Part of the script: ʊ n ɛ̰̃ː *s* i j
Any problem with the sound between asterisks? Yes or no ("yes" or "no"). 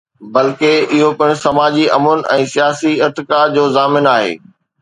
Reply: no